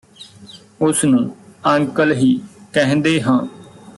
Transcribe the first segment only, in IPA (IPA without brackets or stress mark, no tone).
ʊ